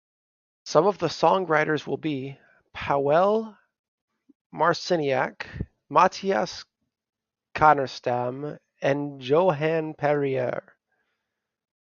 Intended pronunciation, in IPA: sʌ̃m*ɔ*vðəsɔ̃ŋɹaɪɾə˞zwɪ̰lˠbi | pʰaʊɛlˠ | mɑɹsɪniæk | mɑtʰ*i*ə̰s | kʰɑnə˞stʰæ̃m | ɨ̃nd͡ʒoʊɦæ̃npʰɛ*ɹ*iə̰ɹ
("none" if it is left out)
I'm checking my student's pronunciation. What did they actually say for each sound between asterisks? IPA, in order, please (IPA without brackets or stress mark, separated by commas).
ʌ, i, ɹ